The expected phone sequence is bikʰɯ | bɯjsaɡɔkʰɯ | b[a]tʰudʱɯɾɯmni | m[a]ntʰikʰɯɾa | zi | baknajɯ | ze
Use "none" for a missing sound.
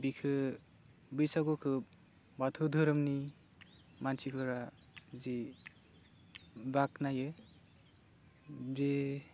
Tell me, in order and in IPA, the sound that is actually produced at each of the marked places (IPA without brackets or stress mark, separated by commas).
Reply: a, a